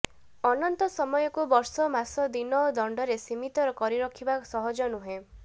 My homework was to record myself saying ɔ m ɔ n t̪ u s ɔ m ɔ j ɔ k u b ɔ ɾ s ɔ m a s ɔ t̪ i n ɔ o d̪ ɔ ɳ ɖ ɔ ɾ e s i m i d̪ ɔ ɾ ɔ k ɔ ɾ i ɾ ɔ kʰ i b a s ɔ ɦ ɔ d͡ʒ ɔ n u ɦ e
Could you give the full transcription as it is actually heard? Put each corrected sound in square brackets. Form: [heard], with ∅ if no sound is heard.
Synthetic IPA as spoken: ɔ [n] ɔ n t̪ [ɔ] s ɔ m ɔ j ɔ k u b ɔ ɾ s ɔ m a s ɔ [d̪] i n ɔ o d̪ ɔ ɳ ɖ ɔ ɾ e s i m i [t̪] ɔ ɾ ɔ k ɔ ɾ i ɾ ɔ kʰ i b a s ɔ ɦ ɔ d͡ʒ ɔ n u ɦ e